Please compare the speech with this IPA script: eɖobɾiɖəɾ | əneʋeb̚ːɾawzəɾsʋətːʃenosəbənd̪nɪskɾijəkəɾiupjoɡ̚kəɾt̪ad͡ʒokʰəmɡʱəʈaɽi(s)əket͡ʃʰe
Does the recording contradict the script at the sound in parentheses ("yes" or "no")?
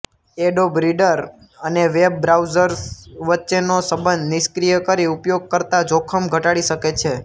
yes